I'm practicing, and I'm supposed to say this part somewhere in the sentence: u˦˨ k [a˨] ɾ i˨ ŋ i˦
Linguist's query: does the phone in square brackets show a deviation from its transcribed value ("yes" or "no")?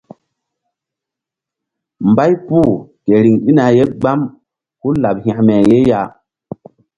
yes